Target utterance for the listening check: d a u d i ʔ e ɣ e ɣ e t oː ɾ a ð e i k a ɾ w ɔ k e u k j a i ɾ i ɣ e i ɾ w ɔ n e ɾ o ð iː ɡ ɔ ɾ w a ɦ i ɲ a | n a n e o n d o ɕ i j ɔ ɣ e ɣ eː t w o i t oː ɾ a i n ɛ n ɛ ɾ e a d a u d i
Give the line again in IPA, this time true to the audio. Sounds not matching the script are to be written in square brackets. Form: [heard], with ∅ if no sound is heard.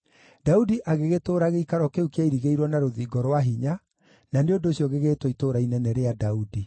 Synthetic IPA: d a u d i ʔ [a] ɣ e ɣ e t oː ɾ a [ɣ] e i k a ɾ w ɔ k e u k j a i ɾ i ɣ e i ɾ w ɔ n [a] ɾ o ð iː ɡ ɔ ɾ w a ɦ i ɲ a | n a n e o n d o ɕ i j ɔ ɣ e ɣ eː t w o i t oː ɾ a i n ɛ n ɛ ɾ e a d a u d i